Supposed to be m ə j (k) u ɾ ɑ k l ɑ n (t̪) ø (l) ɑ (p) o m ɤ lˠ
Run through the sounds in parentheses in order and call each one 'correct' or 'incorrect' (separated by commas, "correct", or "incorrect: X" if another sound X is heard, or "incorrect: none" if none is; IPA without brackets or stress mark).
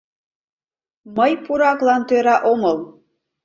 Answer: incorrect: p, correct, incorrect: ɾ, incorrect: ʔ